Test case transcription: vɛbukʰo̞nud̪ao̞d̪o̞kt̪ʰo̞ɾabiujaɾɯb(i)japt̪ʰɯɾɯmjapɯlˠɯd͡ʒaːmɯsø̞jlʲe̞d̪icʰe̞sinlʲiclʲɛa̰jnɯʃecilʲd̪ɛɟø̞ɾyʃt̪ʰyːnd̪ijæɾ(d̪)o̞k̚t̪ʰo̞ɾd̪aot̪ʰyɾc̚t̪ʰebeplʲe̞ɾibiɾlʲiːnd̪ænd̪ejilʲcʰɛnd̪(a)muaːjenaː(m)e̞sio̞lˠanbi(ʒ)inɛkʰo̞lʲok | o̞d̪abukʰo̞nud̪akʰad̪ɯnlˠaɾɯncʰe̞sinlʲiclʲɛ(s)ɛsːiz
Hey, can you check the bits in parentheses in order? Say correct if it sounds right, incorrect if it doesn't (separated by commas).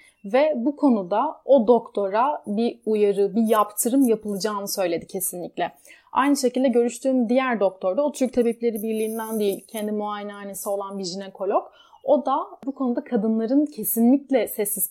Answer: correct, correct, incorrect, incorrect, correct, correct